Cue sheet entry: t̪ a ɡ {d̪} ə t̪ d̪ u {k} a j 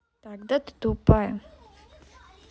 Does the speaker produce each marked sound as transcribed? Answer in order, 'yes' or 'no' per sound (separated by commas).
yes, no